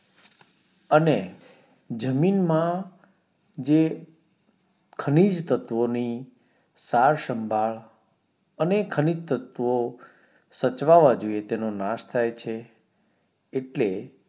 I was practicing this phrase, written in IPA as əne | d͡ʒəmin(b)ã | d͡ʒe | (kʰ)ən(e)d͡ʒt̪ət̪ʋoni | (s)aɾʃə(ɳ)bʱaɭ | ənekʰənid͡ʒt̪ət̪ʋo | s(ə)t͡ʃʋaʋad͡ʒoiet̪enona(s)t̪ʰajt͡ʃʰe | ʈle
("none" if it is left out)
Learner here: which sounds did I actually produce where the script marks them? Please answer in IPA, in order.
m, kʰ, i, s, m, ə, ʃ

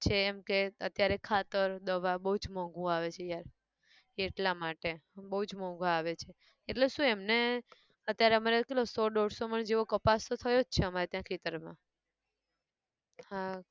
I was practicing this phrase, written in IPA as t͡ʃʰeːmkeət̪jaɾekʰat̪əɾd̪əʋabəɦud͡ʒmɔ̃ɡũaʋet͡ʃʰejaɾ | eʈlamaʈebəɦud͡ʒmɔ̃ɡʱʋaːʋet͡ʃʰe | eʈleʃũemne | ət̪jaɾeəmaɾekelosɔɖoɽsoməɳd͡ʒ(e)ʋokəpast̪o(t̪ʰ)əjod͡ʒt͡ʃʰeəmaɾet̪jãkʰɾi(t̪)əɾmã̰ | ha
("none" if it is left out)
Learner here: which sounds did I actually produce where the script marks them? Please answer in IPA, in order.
e, t̪ʰ, t̪

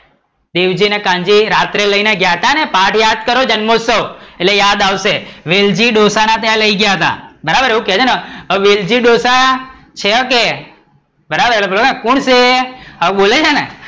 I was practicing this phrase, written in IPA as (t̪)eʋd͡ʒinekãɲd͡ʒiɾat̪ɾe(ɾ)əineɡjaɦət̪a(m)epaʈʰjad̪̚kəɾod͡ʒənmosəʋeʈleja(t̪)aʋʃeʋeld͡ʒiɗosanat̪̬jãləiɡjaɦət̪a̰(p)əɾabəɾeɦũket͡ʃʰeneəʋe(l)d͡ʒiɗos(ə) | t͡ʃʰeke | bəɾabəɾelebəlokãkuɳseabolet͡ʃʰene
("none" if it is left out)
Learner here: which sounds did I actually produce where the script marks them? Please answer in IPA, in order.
d̪, l, n, d̪, b, l, a

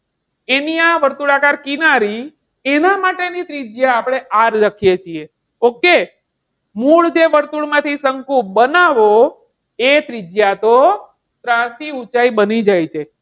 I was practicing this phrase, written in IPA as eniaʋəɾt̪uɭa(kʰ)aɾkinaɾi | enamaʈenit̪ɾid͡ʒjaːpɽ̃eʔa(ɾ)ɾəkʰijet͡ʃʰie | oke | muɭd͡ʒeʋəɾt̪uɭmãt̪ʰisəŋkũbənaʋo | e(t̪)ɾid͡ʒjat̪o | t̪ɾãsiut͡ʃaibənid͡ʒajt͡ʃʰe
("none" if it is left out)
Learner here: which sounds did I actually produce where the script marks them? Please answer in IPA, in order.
k, ɾ, t̪

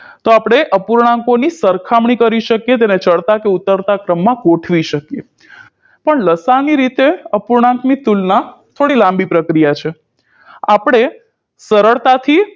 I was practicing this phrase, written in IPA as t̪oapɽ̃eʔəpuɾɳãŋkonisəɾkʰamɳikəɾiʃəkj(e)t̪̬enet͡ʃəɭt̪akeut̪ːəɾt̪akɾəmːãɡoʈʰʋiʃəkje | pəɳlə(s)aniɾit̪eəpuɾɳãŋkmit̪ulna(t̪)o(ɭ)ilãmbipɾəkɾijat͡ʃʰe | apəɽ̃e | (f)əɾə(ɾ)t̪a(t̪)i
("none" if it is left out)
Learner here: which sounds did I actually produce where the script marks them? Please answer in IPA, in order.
e, s, t̪ʰ, ɽ, s, ɭ, t̪ʰ

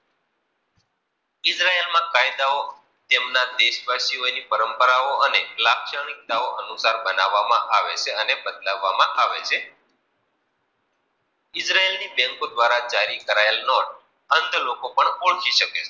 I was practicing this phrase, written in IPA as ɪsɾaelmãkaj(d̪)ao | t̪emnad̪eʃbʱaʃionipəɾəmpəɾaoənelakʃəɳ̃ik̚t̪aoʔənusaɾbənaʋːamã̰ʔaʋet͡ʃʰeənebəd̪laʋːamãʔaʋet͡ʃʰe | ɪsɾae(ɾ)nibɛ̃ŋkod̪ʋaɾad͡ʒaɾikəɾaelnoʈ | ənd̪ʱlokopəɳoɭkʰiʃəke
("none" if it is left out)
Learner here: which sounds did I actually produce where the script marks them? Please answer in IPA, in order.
d̪, l

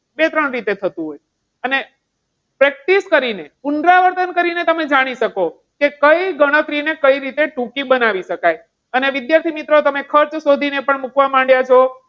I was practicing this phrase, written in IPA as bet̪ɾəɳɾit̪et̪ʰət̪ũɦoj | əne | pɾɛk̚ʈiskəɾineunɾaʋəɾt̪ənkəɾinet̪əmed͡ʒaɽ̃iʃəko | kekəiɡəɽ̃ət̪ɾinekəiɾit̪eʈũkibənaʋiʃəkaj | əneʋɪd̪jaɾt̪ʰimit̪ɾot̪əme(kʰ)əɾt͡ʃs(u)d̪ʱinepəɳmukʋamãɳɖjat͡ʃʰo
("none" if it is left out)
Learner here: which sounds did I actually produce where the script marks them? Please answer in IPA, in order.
kʰ, o

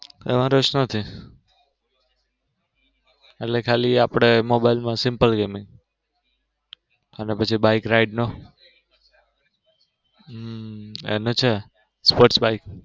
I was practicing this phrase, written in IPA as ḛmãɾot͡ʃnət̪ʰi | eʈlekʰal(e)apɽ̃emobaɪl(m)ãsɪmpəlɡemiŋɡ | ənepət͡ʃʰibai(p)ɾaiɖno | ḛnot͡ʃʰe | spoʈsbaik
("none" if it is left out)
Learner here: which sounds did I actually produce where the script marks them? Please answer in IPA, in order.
i, m, k

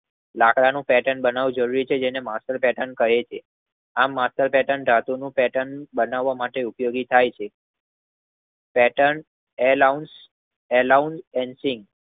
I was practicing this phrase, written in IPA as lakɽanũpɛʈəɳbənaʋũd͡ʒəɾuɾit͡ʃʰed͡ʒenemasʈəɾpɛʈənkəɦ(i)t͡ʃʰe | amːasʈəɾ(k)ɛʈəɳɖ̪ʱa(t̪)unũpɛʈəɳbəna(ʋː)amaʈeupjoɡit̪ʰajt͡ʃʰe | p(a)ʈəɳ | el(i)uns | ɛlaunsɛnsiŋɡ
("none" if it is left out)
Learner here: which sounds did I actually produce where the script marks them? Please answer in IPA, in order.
e, p, t̪, ʋː, ɛ, a

